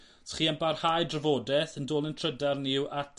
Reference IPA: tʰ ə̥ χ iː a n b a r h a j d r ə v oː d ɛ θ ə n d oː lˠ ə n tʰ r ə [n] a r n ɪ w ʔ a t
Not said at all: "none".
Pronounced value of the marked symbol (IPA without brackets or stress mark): d